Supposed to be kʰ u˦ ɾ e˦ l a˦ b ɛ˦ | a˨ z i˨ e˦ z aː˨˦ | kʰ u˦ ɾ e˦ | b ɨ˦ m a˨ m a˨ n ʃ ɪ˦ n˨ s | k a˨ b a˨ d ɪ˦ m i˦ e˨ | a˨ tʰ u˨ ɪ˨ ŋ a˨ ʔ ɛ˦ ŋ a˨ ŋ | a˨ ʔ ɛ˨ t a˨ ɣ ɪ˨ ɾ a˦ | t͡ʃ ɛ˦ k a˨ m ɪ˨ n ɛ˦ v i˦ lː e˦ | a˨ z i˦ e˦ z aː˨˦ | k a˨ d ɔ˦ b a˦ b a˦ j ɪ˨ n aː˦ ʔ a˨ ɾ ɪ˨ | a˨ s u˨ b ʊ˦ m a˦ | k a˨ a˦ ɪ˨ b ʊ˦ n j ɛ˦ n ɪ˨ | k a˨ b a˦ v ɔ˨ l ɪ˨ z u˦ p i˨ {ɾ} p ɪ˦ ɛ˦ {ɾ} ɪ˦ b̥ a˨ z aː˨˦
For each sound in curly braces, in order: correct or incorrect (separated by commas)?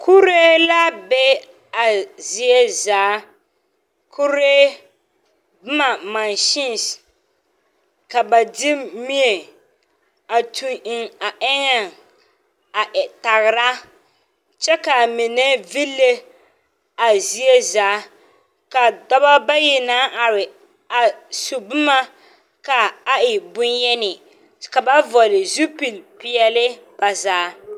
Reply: incorrect, incorrect